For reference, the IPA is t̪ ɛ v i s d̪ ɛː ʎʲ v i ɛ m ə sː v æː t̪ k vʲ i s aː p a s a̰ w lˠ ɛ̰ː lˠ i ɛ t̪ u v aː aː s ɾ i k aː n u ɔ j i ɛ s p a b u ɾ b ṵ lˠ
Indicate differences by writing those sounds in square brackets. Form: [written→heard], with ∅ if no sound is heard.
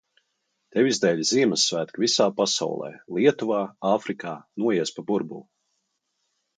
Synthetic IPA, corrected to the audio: t̪ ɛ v i [s→z] d̪ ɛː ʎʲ [v→z] i ɛ m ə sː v æː t̪ k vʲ i s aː p a s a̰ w lˠ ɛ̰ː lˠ i ɛ t̪ u v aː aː [s→f] ɾ i k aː n u ɔ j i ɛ s p a b u ɾ b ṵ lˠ